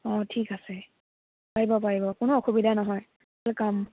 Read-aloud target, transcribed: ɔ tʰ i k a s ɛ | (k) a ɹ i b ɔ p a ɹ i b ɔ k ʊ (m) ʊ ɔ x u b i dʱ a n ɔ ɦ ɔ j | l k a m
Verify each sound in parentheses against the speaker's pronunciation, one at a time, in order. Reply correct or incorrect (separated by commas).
incorrect, incorrect